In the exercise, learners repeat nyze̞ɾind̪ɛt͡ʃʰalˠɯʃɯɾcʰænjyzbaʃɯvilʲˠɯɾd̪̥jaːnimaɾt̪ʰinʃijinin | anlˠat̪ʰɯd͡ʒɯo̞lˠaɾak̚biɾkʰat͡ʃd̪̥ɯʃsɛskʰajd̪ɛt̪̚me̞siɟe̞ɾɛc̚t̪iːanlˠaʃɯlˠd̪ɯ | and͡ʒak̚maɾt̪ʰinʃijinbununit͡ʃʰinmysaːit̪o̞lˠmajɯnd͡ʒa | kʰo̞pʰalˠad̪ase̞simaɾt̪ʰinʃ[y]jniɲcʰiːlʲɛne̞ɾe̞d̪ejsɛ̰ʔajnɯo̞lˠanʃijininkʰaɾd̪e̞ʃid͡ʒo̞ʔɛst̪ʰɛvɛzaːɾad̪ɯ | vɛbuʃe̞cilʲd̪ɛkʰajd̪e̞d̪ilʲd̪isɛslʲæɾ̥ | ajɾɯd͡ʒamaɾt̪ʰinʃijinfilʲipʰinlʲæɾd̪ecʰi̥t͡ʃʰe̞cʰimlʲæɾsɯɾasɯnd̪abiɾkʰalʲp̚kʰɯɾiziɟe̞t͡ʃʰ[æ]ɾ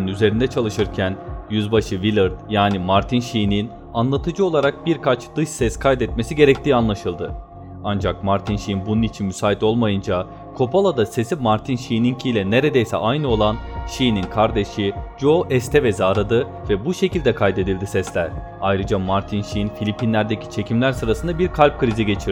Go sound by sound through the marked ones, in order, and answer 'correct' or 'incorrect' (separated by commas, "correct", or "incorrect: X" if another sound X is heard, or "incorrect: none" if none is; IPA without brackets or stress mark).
incorrect: i, incorrect: i